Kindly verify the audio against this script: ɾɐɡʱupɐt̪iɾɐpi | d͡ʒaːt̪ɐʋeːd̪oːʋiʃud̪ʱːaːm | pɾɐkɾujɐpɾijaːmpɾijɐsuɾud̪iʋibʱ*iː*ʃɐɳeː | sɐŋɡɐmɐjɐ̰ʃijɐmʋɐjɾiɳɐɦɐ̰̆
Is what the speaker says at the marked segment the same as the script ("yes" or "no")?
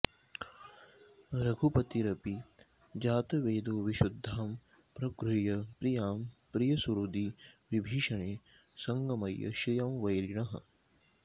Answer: yes